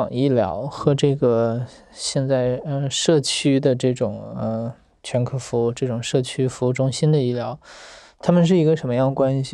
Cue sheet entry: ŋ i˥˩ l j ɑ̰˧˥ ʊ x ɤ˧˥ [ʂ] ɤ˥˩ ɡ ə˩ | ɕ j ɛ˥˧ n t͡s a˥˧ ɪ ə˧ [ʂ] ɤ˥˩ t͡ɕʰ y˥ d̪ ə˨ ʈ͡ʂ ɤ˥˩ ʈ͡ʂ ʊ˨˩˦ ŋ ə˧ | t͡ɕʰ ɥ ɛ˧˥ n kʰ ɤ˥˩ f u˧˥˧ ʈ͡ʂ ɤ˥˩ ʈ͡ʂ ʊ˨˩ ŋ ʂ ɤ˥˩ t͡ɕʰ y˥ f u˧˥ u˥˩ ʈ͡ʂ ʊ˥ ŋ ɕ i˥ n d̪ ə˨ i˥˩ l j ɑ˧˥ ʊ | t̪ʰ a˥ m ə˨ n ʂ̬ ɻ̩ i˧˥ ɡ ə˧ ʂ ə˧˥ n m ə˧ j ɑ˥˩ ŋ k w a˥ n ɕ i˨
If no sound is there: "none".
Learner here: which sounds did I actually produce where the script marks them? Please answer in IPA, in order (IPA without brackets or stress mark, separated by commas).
ʈ͡ʂ, ʂ